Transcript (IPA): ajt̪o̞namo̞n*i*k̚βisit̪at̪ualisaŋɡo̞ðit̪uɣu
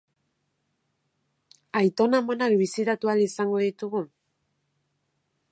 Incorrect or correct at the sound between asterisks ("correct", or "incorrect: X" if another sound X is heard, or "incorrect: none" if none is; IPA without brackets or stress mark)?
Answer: incorrect: a